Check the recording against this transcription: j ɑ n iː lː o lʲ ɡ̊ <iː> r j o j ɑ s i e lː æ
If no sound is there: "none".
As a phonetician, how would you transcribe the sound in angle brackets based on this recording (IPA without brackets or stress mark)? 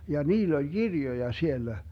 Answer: i